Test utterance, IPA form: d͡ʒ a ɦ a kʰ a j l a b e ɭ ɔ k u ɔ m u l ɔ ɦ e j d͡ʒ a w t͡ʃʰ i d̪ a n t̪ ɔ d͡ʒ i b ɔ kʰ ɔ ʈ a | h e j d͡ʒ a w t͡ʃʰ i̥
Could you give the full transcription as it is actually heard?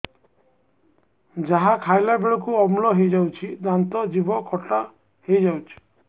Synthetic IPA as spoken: d͡ʒ a ɦ a kʰ a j l a b e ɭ ɔ k u ɔ m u l ɔ ɦ e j d͡ʒ a w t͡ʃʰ i d̪ a n t̪ ɔ d͡ʒ i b ɔ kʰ ɔ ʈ a | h e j d͡ʒ a w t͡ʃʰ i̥